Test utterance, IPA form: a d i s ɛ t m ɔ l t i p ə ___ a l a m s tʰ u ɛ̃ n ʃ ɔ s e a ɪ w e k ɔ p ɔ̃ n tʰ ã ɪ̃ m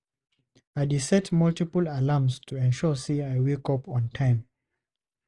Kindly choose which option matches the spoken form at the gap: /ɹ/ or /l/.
l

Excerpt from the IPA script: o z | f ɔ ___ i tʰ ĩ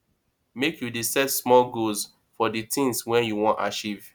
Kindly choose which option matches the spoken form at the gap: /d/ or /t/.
d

